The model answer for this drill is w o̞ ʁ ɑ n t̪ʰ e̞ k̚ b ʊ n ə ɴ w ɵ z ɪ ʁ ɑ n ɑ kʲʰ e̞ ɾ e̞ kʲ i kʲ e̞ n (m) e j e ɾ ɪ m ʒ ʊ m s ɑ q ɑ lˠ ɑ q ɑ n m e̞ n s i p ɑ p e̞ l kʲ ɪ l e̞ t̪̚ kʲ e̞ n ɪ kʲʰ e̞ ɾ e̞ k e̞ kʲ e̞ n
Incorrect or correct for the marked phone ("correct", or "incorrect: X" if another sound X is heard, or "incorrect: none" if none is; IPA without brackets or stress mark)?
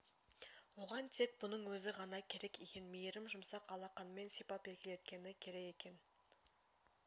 correct